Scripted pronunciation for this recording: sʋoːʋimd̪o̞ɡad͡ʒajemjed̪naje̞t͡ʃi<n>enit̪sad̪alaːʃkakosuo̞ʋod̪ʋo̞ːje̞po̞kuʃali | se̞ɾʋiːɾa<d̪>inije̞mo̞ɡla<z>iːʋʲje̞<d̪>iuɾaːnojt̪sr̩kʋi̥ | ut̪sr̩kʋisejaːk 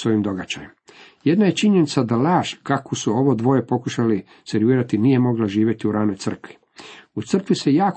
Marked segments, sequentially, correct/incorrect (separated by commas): incorrect, incorrect, incorrect, incorrect